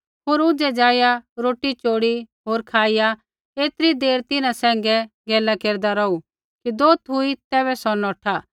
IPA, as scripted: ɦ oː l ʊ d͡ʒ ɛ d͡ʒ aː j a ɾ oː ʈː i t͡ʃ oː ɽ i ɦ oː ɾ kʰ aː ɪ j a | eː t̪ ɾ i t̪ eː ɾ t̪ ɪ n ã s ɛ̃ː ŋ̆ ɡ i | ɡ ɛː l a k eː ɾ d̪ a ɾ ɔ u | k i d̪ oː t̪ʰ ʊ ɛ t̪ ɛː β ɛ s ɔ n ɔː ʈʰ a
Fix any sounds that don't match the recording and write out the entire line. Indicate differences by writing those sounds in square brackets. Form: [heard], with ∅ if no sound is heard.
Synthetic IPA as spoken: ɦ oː [ɾ] ʊ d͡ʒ ɛ d͡ʒ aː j a ɾ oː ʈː i t͡ʃ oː ɽ i ɦ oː ɾ kʰ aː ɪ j a | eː t̪ ɾ i [d̪] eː ɾ t̪ ɪ n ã s ɛ̃ː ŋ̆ ɡ [ɛ] | ɡ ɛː l a k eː ɾ d̪ a ɾ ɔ u | k i d̪ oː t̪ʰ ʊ [i] t̪ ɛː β ɛ s ɔ n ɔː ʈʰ a